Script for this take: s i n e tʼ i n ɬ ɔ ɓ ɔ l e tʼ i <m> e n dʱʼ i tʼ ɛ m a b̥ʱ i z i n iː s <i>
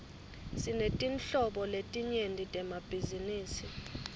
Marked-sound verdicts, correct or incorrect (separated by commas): incorrect, correct